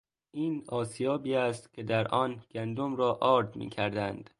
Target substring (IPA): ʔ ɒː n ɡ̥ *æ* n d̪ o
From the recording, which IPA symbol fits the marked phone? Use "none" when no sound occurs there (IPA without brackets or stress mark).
æ